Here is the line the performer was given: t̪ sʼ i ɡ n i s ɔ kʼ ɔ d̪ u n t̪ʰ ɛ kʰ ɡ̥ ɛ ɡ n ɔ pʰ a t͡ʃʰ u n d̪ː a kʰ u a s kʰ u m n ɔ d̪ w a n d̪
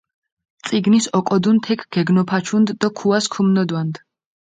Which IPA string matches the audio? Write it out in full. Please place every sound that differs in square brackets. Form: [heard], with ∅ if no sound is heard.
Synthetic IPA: t̪ sʼ i ɡ n i s ɔ kʼ ɔ d̪ u n t̪ʰ ɛ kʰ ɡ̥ ɛ ɡ n ɔ pʰ a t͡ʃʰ u n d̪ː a kʰ u a s kʰ u m n ɔ d̪ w a n d̪